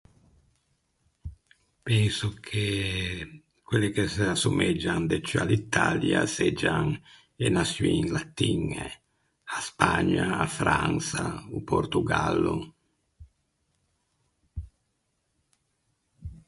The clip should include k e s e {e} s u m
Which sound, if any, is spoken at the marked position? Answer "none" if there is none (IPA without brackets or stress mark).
a